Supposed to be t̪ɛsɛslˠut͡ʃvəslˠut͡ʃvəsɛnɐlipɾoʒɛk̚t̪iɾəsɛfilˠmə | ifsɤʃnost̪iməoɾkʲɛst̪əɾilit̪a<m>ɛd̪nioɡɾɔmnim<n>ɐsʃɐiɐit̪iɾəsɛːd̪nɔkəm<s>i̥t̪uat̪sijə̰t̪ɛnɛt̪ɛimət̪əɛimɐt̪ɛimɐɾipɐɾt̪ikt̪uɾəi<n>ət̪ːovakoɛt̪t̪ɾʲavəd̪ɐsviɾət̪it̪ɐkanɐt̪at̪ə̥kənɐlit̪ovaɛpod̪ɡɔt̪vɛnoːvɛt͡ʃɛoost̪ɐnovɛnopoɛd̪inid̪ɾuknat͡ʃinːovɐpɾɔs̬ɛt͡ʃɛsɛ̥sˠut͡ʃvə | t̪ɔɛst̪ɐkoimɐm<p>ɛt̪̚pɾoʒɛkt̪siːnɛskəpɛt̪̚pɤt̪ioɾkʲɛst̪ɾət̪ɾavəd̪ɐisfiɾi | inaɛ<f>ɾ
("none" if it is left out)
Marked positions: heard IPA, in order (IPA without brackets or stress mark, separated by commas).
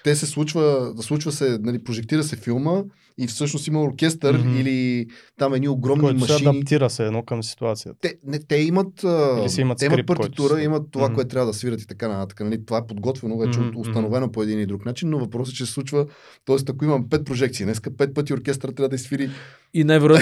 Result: m, m, s, m, p, v